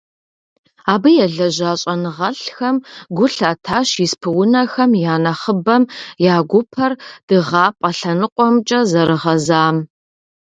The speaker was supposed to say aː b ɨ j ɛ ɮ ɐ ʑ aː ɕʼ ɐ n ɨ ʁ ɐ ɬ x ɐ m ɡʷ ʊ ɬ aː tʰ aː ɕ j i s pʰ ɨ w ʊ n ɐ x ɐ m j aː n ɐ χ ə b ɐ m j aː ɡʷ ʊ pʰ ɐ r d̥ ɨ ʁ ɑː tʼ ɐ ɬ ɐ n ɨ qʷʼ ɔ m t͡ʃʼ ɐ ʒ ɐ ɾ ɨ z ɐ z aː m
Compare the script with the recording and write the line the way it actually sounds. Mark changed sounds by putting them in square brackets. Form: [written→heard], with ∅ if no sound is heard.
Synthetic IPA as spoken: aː b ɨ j ɛ ɮ ɐ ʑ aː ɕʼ ɐ n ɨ ʁ ɐ ɬ x ɐ m ɡʷ ʊ ɬ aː tʰ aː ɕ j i s pʰ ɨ w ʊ n ɐ x ɐ m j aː n ɐ χ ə b ɐ m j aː ɡʷ ʊ pʰ ɐ r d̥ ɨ ʁ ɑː [tʼ→pʼ] ɐ ɬ ɐ n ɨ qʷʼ ɔ m t͡ʃʼ ɐ [ʒ→z] ɐ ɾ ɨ [z→ʁ] ɐ z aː m

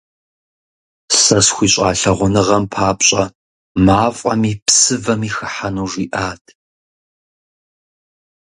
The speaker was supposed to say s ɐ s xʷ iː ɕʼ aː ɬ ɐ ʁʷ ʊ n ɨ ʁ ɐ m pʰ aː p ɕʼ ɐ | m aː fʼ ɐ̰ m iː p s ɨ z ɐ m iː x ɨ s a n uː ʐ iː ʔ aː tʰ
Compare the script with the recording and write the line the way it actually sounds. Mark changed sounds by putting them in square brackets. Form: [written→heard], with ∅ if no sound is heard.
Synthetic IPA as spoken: s ɐ s xʷ iː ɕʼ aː ɬ ɐ ʁʷ ʊ n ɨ ʁ ɐ m pʰ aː p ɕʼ ɐ | m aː fʼ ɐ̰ m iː p s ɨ [z→v] ɐ m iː x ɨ [s→ħ] a n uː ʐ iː ʔ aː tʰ

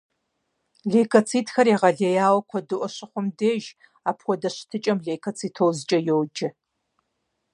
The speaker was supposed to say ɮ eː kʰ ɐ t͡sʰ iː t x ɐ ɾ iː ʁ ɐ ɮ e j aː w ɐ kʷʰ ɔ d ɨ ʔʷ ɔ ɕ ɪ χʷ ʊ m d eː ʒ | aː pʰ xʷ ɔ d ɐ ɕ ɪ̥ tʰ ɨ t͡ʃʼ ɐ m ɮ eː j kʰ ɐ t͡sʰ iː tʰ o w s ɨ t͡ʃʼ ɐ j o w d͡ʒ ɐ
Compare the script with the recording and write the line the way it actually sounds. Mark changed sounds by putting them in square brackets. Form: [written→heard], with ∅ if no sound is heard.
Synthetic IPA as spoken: ɮ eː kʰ ɐ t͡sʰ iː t x ɐ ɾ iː ʁ ɐ ɮ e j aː w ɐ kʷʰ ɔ d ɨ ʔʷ ɔ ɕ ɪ χʷ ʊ m d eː ʒ | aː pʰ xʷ ɔ d ɐ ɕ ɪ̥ tʰ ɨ t͡ʃʼ ɐ m ɮ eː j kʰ ɐ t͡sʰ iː tʰ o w [s→z] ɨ t͡ʃʼ ɐ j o w d͡ʒ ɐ

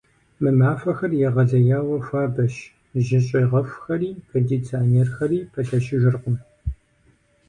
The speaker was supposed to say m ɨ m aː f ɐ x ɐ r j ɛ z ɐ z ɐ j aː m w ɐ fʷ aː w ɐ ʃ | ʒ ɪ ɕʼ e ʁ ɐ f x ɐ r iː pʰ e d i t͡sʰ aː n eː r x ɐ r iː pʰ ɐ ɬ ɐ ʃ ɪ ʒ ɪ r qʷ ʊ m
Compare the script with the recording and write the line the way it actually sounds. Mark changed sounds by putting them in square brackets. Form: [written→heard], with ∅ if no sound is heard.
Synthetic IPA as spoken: m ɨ m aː f ɐ x ɐ r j ɛ [z→ʁ] ɐ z ɐ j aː [m→∅] w ɐ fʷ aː [w→b] ɐ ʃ | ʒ ɪ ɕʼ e ʁ ɐ f x ɐ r iː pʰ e d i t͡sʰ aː n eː r x ɐ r iː pʰ ɐ ɬ ɐ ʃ ɪ ʒ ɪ r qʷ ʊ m

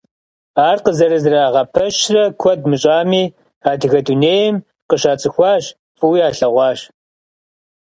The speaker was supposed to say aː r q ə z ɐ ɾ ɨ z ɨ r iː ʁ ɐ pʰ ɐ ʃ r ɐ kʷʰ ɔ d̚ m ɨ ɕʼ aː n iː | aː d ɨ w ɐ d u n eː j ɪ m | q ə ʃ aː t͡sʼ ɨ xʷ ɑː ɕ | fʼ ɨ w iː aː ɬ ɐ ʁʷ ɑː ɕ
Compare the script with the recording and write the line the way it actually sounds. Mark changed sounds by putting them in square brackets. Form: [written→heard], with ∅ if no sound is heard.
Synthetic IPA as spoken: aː r q ə z ɐ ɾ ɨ z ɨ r [iː→aː] ʁ ɐ pʰ ɐ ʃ r ɐ kʷʰ ɔ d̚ m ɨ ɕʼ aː [n→m] iː | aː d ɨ [w→ɣ] ɐ d u n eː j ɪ m | q ə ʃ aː t͡sʼ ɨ xʷ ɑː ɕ | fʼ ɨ w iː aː ɬ ɐ ʁʷ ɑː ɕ

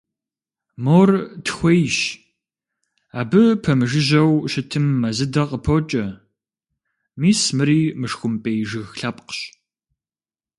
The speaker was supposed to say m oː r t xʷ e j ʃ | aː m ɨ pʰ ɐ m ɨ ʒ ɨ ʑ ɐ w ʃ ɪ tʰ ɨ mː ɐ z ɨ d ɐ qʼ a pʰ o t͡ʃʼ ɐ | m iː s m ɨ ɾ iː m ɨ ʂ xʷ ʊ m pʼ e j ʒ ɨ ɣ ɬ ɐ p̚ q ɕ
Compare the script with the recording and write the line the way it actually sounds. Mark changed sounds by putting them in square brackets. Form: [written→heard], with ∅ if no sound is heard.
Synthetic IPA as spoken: m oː r t xʷ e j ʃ | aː [m→b] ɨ pʰ ɐ m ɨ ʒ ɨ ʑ ɐ w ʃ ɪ tʰ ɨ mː ɐ z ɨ d ɐ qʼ [a→ə] pʰ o t͡ʃʼ ɐ | m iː s m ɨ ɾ iː m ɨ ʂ xʷ ʊ m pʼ e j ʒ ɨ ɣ ɬ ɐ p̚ q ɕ

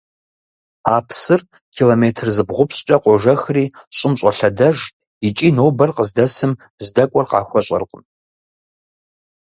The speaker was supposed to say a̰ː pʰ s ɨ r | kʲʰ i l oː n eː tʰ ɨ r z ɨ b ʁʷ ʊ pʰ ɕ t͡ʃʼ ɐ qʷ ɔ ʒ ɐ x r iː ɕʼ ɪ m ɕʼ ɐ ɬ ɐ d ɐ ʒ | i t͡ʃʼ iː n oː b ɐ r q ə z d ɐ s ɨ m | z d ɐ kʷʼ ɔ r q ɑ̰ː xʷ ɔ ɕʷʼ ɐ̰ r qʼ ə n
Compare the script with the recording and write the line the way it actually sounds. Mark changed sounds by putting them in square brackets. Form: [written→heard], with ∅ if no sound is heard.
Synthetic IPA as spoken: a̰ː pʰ s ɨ r | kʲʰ i l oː [n→m] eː tʰ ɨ r z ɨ b ʁʷ ʊ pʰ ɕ t͡ʃʼ ɐ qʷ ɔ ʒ ɐ x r iː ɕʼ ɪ m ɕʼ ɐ ɬ ɐ d ɐ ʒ | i t͡ʃʼ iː n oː b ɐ r q ə z d ɐ s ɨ m | z d ɐ kʷʼ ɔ r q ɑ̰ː xʷ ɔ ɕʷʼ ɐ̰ r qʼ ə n

